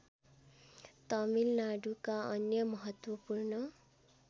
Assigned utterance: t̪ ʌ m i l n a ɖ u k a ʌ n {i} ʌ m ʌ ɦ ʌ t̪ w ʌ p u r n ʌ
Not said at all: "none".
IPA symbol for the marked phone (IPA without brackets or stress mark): j